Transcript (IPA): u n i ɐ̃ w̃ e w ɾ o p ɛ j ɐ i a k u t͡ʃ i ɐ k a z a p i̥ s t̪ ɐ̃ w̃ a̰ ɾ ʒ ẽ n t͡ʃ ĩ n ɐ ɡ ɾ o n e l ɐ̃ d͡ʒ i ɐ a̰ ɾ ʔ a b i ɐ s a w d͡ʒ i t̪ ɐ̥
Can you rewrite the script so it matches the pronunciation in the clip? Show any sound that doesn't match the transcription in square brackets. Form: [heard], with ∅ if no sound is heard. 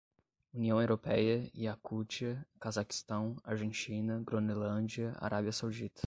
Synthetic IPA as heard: u n i ɐ̃ w̃ e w ɾ o p ɛ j ɐ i a k u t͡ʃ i ɐ k a z a [k] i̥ s t̪ ɐ̃ w̃ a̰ ɾ ʒ ẽ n t͡ʃ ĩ n ɐ ɡ ɾ o n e l ɐ̃ d͡ʒ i ɐ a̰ ɾ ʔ a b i ɐ s a w d͡ʒ i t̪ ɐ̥